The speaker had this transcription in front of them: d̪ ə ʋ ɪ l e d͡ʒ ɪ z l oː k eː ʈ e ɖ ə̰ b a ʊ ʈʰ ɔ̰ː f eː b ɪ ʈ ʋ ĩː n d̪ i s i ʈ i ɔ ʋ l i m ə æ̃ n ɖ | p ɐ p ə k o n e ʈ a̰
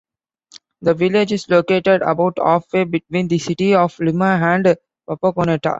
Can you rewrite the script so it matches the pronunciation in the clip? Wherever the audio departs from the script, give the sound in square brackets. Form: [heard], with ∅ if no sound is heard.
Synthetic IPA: d̪ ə ʋ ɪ l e d͡ʒ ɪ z l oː k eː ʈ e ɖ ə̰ b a ʊ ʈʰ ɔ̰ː f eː b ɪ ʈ ʋ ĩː n d̪ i s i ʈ i ɔ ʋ l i m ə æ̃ [ɳ] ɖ | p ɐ p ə k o n e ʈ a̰